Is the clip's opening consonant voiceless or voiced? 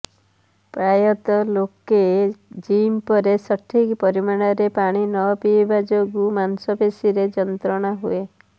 voiceless